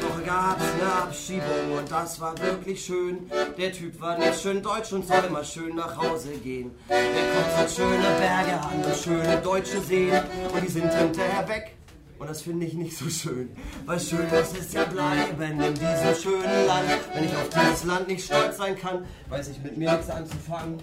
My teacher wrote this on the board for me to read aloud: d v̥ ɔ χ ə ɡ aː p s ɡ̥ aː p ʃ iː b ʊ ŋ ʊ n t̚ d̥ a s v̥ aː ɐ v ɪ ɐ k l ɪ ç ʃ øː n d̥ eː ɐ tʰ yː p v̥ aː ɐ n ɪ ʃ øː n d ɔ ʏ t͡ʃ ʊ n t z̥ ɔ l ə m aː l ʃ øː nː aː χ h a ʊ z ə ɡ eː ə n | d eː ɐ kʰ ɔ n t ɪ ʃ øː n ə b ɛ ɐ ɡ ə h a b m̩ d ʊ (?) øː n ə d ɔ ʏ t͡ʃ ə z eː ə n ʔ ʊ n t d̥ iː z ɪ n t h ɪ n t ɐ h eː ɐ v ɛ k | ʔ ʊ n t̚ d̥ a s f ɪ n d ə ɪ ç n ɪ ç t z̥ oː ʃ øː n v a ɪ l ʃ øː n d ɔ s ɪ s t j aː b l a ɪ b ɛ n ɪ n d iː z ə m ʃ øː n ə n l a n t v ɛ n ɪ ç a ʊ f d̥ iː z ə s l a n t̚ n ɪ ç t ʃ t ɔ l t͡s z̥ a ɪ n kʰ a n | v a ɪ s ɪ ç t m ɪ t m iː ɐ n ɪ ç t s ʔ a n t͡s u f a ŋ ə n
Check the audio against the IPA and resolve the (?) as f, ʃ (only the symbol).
ʃ